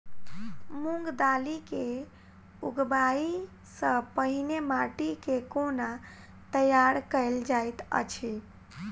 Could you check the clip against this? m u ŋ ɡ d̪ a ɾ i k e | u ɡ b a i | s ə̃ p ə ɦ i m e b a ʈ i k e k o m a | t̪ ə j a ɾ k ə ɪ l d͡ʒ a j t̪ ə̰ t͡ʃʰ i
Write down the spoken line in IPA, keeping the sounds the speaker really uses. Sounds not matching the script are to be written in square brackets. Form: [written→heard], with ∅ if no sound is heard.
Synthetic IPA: m u ŋ ɡ d̪ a [ɾ→l] i k e | u ɡ b a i | s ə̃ p ə ɦ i [m→n] e [b→m] a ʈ i k e k o [m→n] a | t̪ ə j a ɾ k ə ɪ l d͡ʒ a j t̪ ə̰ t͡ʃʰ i